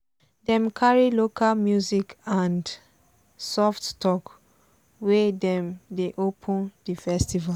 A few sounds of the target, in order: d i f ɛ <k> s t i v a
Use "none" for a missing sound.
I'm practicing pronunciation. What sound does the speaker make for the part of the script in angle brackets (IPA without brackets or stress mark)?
none